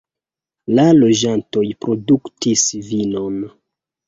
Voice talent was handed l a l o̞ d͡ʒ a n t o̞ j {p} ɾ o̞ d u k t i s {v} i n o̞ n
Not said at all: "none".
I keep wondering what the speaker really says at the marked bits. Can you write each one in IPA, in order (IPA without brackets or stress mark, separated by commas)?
p, v